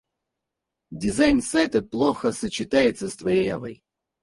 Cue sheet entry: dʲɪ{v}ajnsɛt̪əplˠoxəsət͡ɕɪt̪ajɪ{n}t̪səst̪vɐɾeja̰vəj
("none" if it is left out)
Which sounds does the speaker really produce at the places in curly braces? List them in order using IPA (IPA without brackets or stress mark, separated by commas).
z, none